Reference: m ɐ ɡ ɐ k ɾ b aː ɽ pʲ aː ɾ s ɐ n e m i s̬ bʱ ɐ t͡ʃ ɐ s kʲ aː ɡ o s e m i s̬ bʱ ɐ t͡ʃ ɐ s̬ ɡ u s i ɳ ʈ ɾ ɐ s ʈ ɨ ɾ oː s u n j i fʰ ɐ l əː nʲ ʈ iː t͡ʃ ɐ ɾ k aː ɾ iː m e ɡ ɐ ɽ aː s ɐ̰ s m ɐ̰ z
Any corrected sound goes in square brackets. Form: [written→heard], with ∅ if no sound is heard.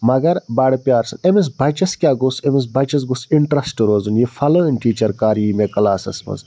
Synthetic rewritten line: m ɐ ɡ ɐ [k→∅] ɾ b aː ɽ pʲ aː ɾ s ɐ n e m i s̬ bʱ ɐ t͡ʃ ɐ s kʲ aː ɡ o s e m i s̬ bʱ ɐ t͡ʃ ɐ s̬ ɡ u s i ɳ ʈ ɾ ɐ s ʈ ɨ ɾ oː [s→z] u n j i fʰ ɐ l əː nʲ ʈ iː t͡ʃ ɐ ɾ k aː ɾ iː m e [ɡ→k] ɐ [ɽ→l] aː s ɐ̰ s m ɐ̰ z